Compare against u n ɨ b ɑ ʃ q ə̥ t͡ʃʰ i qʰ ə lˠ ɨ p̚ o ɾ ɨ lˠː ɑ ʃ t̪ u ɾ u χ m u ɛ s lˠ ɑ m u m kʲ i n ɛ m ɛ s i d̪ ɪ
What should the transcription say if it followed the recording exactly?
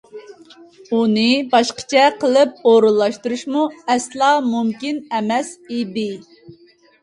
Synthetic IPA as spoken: u n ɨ b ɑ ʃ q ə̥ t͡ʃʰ ɛ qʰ ə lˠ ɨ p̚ o ɾ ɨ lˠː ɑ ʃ t̪ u ɾ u ʃ m u ɛ s lˠ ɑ m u m kʲ i n ɛ m ɛ s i d̪ ɪ